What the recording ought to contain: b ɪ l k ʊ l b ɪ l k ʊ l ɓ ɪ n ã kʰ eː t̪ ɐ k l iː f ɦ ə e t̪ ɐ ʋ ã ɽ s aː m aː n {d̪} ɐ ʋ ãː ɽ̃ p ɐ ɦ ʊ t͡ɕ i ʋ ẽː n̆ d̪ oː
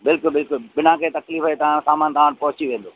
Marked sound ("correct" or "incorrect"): incorrect